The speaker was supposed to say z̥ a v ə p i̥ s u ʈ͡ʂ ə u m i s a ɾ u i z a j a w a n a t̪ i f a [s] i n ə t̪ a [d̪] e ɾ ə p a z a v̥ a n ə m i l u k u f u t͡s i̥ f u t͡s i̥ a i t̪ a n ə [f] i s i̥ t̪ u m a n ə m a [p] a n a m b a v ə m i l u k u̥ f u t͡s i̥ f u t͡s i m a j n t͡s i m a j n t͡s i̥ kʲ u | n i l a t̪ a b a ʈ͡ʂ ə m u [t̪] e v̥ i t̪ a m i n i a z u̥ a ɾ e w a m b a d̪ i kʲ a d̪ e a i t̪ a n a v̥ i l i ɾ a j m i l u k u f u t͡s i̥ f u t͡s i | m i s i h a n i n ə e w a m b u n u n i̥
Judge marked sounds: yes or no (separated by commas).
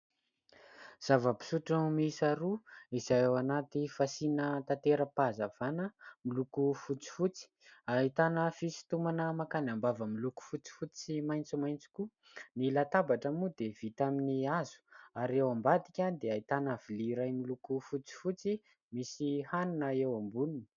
yes, no, yes, no, no